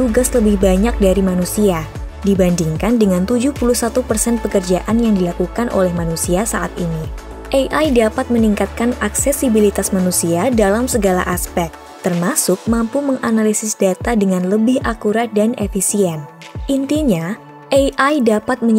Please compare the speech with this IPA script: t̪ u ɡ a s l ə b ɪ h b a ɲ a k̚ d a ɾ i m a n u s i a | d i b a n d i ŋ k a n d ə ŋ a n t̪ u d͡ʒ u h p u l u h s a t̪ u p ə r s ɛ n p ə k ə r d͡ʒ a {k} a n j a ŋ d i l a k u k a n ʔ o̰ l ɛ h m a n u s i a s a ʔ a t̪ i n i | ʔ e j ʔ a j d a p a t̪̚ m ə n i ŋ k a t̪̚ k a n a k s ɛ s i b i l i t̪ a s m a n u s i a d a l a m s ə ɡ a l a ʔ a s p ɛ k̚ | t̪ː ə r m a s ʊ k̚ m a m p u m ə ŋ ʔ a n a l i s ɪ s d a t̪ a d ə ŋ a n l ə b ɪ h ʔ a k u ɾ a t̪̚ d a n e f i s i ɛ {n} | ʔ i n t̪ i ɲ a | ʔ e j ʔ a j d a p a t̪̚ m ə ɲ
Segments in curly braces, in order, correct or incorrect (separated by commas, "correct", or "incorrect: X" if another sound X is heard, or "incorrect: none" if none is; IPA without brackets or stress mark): incorrect: ʔ, correct